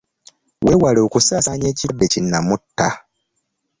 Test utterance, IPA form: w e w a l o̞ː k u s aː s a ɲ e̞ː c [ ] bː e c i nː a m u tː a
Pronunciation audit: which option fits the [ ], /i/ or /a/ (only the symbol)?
i